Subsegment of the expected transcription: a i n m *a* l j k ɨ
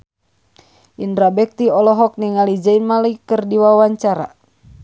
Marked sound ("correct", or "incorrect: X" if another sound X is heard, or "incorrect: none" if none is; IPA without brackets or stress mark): correct